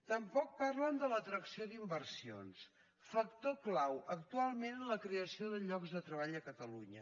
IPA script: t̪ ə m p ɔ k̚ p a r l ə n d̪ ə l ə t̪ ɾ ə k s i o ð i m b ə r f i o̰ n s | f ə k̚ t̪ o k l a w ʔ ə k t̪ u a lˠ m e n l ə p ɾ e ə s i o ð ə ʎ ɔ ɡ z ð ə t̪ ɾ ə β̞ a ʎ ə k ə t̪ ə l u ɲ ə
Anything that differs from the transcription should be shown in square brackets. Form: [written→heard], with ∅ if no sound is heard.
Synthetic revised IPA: t̪ ə m p ɔ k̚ p a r l ə n d̪ ə l ə t̪ ɾ ə k s i o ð i m b ə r [f→s] i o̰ n s | f ə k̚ t̪ o k l a w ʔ ə k t̪ u a lˠ m e n l ə [p→k] ɾ e ə s i o ð ə ʎ ɔ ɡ z ð ə t̪ ɾ ə β̞ a ʎ ə k ə t̪ ə l u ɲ ə